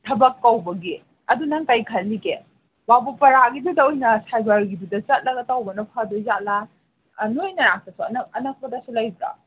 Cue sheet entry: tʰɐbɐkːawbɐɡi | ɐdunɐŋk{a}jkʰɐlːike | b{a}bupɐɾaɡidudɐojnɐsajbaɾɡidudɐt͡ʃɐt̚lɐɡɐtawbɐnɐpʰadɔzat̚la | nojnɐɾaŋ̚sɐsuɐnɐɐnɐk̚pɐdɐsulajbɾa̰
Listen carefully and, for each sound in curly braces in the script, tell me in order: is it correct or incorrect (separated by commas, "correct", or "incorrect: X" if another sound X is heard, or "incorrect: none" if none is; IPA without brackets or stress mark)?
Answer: correct, correct